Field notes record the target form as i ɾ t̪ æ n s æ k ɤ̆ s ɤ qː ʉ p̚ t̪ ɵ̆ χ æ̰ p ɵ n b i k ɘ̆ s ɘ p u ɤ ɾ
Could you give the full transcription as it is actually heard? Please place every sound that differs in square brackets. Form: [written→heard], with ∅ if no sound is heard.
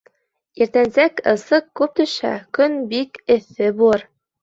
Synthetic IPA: i ɾ t̪ æ n s æ k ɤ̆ s ɤ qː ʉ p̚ t̪ ɵ̆ [χ→ʃ] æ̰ [p→k] ɵ n b i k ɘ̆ [s→θ] ɘ [p→b] u ɤ ɾ